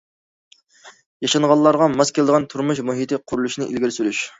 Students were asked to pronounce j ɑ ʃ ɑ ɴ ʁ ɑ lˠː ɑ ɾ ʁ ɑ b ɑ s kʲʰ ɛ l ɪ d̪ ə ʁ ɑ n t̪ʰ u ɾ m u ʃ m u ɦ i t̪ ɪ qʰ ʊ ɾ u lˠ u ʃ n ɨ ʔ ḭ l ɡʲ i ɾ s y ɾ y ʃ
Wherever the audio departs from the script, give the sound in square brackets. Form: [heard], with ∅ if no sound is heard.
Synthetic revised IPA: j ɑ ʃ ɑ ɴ ʁ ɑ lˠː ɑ ɾ ʁ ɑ [m] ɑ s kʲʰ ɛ l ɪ d̪ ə ʁ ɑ n t̪ʰ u ɾ m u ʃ m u ɦ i t̪ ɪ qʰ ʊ ɾ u lˠ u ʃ n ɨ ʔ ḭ l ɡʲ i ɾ s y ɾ y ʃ